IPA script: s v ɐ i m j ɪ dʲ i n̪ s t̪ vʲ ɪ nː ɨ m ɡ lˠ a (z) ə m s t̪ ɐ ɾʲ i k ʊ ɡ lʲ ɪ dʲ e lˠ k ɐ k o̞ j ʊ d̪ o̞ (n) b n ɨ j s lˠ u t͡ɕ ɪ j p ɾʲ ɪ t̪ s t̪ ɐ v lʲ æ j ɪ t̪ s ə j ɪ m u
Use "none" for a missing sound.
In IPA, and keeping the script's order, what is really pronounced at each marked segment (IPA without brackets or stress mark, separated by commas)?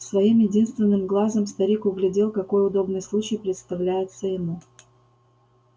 z, none